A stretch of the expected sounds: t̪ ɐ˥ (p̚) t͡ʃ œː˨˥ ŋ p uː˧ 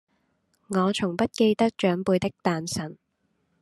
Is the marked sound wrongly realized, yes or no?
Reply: yes